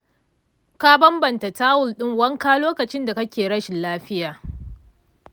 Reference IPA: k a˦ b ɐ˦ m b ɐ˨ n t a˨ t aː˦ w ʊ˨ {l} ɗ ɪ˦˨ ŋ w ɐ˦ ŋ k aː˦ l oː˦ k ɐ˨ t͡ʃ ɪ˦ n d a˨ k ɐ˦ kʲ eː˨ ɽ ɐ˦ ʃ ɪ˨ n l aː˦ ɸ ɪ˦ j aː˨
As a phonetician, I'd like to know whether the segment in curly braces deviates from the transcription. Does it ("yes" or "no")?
no